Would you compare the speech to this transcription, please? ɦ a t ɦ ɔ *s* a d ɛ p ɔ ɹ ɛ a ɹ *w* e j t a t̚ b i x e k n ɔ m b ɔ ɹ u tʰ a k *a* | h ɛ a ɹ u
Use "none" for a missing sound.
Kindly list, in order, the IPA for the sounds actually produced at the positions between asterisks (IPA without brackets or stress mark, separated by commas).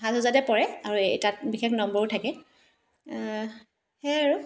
z, u, ɛ